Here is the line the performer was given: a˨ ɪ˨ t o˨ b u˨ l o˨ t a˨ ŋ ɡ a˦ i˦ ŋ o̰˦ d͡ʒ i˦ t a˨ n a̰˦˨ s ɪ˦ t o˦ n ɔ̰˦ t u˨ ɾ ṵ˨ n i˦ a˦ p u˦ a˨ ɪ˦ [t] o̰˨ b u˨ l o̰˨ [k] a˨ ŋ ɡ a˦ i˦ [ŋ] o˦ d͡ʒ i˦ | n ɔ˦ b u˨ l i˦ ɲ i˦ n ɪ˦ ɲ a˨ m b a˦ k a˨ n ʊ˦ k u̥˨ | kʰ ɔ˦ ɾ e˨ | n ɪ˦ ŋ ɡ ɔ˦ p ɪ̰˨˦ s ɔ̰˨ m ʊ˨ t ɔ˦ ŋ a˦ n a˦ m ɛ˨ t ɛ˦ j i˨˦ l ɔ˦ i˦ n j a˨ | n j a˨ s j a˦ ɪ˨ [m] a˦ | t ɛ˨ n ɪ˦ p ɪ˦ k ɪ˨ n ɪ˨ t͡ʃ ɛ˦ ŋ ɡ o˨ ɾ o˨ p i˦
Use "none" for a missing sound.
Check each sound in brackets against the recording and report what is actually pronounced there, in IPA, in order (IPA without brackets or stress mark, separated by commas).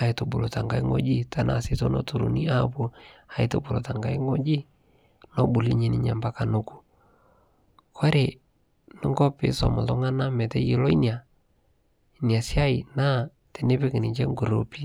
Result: t, t, ŋ, n